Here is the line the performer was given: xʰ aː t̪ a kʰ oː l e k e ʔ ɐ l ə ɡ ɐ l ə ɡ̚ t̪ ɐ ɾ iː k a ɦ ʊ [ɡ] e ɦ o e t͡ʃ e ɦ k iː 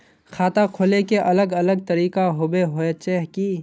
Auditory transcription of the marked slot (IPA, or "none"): b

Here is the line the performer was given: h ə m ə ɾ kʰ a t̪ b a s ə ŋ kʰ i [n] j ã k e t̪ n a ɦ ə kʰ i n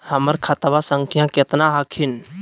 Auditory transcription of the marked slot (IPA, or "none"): none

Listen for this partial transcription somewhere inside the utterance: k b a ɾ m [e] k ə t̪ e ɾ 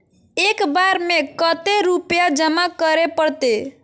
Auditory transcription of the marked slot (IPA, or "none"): e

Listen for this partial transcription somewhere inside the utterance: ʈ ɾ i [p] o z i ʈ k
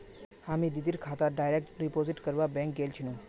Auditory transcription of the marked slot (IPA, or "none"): p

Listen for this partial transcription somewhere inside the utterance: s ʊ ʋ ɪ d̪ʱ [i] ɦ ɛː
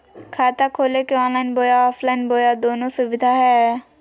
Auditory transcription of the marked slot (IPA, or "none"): a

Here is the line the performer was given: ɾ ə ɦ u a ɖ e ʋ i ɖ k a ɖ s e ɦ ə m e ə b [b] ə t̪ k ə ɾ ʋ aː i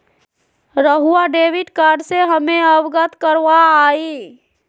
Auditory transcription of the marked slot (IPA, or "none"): ɡ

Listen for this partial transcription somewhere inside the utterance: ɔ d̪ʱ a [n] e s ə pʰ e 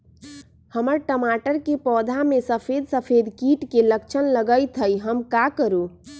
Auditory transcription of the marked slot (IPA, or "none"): m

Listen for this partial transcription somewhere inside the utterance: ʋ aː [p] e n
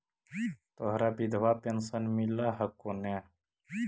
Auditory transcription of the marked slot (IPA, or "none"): p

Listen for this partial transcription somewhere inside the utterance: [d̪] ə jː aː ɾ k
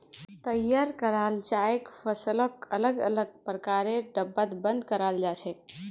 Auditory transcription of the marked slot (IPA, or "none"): t̪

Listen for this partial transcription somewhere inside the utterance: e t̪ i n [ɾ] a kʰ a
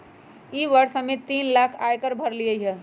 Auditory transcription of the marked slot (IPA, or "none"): l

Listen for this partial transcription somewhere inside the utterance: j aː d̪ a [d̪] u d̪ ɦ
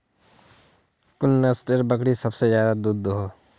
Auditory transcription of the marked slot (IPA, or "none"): d̪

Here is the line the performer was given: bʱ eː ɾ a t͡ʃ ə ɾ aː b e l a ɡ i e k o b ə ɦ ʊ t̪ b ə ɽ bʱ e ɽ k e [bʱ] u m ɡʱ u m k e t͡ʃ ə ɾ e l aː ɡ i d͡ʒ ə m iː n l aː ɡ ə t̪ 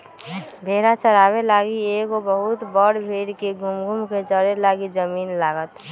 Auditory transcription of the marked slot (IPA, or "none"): ɡʱ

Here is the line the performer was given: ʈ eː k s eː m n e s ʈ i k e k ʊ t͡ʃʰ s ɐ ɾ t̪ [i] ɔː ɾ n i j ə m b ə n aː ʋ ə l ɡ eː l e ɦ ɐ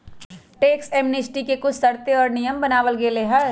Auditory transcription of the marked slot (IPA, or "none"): e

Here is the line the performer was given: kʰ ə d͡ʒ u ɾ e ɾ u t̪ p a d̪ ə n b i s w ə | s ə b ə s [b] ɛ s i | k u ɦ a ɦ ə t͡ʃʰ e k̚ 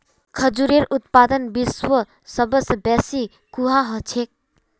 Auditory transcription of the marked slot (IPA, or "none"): b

